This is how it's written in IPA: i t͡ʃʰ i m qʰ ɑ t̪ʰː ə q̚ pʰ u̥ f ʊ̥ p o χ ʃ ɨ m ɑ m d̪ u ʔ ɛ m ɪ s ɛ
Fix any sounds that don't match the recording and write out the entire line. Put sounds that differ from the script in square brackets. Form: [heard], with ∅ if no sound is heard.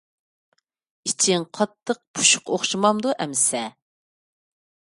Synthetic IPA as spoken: i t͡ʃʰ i [ŋ] qʰ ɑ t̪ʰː ə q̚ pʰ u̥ [ʃ] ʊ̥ [q] o χ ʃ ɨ m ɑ m d̪ u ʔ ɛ m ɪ s ɛ